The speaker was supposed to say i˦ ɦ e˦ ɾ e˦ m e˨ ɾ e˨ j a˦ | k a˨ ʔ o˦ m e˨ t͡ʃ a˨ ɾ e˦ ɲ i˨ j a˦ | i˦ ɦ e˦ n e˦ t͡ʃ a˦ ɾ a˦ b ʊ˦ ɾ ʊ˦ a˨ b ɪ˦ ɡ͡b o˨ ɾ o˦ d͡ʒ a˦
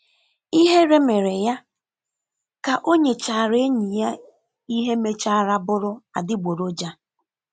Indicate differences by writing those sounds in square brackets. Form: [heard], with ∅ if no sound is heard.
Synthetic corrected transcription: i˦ ɦ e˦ ɾ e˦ m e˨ ɾ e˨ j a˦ | k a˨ ʔ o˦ [ɲ] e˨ t͡ʃ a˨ ɾ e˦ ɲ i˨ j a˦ | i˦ ɦ e˦ [m] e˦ t͡ʃ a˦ ɾ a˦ b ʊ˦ ɾ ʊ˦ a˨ [d] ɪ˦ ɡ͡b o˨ ɾ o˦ d͡ʒ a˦